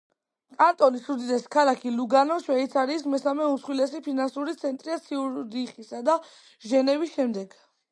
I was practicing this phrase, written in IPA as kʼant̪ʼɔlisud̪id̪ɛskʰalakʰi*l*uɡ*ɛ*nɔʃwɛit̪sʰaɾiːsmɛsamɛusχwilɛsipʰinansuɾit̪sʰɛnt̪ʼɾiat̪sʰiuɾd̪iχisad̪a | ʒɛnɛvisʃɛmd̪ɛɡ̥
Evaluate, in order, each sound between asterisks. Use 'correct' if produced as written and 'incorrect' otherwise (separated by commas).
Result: correct, incorrect